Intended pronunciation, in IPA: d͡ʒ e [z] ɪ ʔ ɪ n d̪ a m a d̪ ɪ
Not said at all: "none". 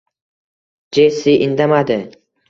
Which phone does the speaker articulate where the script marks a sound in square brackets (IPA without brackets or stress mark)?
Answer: s